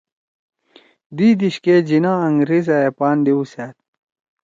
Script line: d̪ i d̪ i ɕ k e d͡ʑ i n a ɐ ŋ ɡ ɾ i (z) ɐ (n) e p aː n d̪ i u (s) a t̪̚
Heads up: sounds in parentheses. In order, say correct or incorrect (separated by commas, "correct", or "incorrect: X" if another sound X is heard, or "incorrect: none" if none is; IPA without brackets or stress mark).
correct, incorrect: none, correct